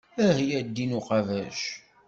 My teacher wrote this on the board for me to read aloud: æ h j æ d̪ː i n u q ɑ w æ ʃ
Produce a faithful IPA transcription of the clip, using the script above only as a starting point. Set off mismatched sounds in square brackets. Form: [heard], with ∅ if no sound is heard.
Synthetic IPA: æ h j æ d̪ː i n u q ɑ [v] æ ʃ